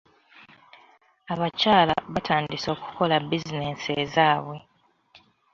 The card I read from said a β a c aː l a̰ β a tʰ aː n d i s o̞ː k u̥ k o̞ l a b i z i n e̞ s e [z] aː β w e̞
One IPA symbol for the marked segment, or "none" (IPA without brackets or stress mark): z